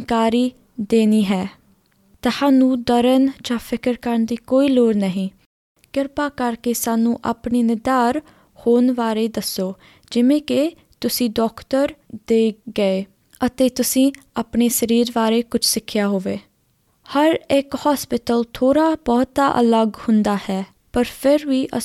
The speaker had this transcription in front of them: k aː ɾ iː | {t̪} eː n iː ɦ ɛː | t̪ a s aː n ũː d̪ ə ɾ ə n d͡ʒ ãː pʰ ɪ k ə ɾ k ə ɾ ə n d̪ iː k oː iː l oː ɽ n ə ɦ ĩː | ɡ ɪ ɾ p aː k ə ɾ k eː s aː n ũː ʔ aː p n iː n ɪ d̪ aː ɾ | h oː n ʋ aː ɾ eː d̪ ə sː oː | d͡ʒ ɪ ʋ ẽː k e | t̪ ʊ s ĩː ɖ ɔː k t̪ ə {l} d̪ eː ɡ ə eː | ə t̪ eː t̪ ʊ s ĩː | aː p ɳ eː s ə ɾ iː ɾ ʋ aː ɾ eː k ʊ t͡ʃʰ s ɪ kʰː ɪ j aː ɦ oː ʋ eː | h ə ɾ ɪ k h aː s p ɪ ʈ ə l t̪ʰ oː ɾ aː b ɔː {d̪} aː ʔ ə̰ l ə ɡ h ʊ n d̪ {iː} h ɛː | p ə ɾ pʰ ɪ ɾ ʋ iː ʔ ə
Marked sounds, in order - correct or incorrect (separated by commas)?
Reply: incorrect, incorrect, incorrect, incorrect